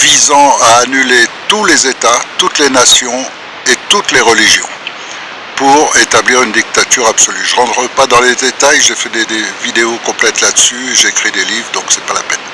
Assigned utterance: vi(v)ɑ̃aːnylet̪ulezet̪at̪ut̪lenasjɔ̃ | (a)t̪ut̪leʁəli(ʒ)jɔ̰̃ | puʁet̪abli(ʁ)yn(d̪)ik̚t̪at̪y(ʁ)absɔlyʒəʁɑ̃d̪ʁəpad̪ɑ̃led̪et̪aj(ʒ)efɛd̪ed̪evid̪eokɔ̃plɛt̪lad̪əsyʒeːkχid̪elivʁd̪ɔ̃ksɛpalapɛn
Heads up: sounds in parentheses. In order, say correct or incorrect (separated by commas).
incorrect, incorrect, correct, correct, correct, correct, correct